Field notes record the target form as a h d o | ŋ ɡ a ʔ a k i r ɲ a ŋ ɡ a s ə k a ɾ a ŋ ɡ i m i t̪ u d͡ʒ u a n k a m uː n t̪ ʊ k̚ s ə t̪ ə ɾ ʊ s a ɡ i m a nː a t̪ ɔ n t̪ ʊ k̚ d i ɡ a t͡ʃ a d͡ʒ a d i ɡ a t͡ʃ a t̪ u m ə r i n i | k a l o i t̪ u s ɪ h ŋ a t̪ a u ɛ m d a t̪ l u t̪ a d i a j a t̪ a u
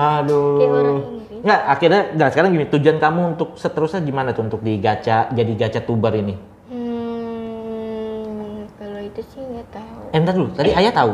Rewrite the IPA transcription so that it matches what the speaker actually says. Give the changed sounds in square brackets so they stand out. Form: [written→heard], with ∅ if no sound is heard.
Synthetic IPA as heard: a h d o | ŋ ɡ a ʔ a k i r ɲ a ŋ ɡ a s ə k a ɾ a ŋ ɡ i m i t̪ u d͡ʒ u a n k a m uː n t̪ ʊ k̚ s ə t̪ ə ɾ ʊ s a ɡ i m a [nː→n] a t̪ [ɔ→u] n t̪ ʊ k̚ d i ɡ a t͡ʃ a d͡ʒ a d i ɡ a t͡ʃ a t̪ u [m→b] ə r i n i | k a l o i t̪ u s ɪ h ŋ a t̪ a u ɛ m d a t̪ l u t̪ a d i a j a t̪ a u